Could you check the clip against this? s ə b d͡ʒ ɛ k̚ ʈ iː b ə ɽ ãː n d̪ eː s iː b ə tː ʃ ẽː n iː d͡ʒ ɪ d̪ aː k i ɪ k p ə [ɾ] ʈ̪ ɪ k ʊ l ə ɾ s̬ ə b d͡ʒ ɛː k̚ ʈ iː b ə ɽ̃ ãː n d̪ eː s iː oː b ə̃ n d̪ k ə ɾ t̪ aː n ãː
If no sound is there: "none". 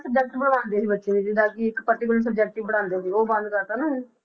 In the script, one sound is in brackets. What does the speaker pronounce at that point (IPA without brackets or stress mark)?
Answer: ɾ